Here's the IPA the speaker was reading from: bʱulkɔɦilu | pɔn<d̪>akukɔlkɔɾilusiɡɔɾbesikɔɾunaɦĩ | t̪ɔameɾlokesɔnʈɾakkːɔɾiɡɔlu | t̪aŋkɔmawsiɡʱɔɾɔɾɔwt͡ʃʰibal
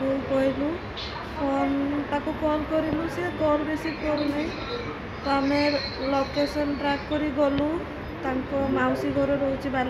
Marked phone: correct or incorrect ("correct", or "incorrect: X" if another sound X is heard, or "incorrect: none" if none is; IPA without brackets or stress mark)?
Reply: incorrect: t̪